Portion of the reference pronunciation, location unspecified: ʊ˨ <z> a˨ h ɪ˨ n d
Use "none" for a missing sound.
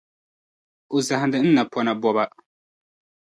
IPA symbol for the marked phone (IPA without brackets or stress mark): z